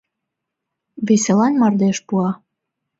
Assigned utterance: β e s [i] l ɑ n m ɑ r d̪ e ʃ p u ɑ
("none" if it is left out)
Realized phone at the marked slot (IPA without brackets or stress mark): e